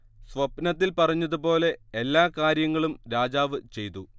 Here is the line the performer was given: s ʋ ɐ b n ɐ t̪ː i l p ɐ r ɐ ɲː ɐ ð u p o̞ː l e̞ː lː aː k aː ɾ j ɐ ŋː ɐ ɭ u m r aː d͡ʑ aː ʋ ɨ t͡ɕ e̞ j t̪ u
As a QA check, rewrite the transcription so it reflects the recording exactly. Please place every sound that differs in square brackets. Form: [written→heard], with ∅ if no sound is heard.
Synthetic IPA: s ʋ ɐ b n ɐ t̪ː i l p ɐ r ɐ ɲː ɐ ð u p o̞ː l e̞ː lː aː k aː ɾ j ɐ ŋː ɐ ɭ u m [r→ɾ] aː d͡ʑ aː ʋ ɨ t͡ɕ e̞ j t̪ u